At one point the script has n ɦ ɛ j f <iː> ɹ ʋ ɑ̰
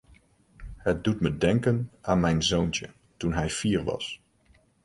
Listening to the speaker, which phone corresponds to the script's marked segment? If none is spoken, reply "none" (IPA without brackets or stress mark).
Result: iː